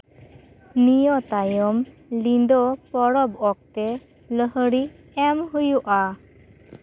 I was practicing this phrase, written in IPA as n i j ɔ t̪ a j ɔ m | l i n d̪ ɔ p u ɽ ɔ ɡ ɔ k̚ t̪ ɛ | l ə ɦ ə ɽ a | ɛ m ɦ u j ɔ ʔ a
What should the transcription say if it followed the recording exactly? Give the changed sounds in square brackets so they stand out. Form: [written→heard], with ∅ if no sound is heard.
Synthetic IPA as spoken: n i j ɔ t̪ a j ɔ m | l i n d̪ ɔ p [u→ɔ] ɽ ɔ [ɡ→b] ɔ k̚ t̪ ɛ | l ə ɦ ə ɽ [a→i] | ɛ m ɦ u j [ɔ→u] ʔ a